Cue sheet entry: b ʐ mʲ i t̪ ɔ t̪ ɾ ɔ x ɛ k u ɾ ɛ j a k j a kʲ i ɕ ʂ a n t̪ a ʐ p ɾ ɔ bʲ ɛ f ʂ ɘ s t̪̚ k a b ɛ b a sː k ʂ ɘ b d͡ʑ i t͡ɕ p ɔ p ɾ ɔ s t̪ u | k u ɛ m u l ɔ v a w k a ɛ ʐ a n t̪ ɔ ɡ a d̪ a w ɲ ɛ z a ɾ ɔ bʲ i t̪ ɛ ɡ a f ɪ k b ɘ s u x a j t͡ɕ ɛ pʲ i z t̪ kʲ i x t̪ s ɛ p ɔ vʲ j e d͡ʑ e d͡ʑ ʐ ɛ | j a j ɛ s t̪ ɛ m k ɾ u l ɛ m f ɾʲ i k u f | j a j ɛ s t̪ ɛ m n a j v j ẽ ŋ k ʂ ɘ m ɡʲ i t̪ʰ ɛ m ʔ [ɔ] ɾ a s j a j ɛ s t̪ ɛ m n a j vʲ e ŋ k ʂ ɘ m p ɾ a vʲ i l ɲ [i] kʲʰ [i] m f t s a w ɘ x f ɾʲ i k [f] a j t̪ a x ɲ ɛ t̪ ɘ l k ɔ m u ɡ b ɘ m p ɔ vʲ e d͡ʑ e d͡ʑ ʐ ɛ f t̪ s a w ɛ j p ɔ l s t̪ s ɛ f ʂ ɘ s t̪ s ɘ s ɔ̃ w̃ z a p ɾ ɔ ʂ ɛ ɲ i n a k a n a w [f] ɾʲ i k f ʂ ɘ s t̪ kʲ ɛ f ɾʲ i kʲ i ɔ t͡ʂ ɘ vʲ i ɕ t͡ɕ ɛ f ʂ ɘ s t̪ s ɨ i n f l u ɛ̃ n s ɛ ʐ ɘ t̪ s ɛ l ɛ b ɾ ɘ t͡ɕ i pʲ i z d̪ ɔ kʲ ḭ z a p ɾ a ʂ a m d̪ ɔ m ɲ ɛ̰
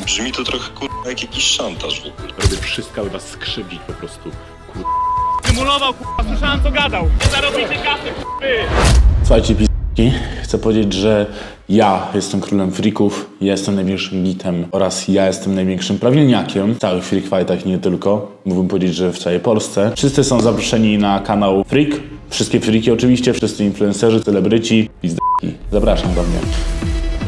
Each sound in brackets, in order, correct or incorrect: correct, incorrect: a, incorrect: ɛ, correct, correct

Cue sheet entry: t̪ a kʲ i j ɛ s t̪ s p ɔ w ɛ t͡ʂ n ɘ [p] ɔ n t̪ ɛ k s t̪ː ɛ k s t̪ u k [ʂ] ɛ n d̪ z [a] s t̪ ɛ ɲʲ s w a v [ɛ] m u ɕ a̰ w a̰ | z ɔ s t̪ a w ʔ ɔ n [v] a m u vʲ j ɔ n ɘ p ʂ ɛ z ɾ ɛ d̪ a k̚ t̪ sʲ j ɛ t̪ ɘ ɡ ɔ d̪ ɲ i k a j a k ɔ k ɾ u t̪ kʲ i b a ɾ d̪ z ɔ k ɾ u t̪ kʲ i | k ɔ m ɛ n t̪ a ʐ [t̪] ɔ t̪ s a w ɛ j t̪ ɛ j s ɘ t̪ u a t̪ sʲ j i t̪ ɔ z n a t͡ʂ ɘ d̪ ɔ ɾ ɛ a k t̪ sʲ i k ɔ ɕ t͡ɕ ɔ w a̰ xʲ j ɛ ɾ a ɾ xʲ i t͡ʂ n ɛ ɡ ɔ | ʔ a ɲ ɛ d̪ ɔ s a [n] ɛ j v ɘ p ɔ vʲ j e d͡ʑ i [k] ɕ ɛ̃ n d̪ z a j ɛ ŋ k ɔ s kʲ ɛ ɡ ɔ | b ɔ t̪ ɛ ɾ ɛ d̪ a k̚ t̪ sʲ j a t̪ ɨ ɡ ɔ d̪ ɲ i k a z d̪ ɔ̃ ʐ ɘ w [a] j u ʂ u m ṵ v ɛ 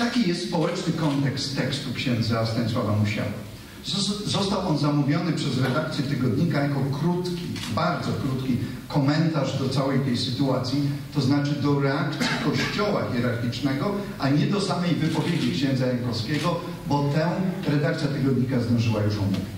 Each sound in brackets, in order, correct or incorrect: incorrect: k, incorrect: ɕ, correct, incorrect: a, incorrect: z, incorrect: d̪, incorrect: m, correct, correct

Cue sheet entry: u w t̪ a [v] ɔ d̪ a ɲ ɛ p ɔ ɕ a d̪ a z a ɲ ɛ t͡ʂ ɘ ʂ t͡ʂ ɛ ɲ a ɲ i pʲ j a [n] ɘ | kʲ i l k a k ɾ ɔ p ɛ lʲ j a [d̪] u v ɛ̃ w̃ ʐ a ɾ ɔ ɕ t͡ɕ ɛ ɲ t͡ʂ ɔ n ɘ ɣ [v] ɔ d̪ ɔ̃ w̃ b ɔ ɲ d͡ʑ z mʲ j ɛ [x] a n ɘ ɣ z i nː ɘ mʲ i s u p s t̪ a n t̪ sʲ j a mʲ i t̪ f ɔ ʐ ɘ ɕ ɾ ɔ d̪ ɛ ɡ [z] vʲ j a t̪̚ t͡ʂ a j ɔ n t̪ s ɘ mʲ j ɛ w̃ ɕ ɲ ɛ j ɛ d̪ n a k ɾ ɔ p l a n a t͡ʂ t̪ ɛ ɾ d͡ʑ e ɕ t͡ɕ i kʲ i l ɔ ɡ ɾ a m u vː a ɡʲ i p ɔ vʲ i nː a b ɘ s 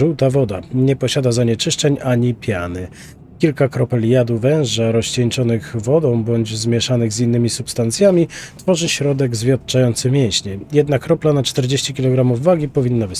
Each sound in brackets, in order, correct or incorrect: correct, correct, correct, correct, incorrect: ʂ, correct

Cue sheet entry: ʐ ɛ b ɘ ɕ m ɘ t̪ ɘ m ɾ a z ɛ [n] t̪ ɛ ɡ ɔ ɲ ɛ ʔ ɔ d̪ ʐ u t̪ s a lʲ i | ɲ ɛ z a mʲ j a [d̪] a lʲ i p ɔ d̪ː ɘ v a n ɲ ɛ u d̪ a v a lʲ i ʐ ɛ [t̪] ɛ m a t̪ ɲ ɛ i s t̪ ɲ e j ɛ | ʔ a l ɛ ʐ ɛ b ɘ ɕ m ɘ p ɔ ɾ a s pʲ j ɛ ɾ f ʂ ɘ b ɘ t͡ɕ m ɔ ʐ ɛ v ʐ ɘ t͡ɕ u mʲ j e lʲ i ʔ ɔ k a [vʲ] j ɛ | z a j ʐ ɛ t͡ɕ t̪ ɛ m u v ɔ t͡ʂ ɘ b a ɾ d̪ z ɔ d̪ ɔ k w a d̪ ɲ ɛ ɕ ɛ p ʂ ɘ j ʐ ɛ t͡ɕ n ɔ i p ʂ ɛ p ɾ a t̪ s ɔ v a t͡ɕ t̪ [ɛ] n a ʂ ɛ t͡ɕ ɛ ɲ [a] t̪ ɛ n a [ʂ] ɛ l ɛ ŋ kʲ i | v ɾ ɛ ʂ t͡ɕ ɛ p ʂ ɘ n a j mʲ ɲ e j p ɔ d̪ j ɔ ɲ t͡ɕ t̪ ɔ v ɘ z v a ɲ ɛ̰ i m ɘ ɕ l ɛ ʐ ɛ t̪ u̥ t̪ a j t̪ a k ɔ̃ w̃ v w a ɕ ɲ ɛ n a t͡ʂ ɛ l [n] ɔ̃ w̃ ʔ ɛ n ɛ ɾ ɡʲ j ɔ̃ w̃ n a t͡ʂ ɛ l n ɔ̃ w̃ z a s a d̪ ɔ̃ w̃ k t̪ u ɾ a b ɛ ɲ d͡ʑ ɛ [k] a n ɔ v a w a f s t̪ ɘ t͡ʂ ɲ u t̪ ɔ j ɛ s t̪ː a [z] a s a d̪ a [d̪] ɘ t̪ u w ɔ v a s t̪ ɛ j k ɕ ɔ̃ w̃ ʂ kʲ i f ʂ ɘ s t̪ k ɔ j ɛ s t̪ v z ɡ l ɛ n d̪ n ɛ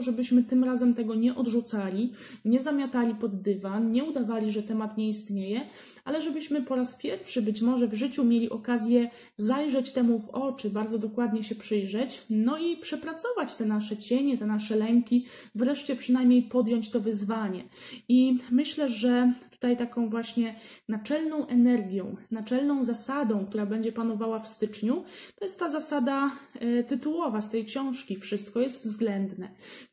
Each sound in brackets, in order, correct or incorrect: incorrect: m, incorrect: t̪, correct, incorrect: zʲ, correct, incorrect: ɛ, correct, correct, incorrect: p, correct, incorrect: t̪

